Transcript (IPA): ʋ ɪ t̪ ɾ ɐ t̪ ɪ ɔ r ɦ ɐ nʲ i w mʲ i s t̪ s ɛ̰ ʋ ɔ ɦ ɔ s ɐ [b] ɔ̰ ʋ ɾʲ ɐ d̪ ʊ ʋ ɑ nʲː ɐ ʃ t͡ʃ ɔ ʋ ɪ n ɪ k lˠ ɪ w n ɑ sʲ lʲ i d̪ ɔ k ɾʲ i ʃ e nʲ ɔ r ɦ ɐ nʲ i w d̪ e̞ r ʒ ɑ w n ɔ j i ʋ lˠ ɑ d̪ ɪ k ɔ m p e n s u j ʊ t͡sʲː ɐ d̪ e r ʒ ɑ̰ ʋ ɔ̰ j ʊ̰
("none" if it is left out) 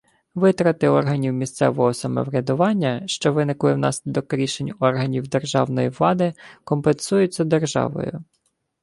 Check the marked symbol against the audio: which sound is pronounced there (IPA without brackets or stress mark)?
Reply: m